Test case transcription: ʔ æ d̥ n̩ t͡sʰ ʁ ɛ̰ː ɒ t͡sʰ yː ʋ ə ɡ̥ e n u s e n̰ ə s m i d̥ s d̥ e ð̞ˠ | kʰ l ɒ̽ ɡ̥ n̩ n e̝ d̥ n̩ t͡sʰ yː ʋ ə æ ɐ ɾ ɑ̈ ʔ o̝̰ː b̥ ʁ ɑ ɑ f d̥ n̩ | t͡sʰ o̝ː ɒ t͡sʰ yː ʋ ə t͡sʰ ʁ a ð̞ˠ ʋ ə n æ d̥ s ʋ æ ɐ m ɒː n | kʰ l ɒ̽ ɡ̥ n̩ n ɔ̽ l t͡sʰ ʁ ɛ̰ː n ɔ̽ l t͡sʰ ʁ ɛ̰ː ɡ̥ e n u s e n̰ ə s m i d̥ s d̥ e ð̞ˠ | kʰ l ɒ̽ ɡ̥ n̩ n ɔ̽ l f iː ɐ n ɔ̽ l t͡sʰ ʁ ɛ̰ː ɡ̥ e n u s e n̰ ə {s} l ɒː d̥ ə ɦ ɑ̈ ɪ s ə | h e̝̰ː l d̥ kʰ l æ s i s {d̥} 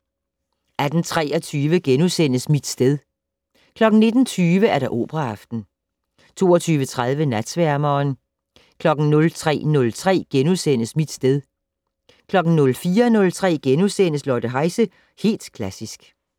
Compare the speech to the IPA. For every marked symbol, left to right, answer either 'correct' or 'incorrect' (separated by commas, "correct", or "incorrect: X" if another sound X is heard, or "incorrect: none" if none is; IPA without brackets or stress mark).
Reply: correct, incorrect: ɡ̥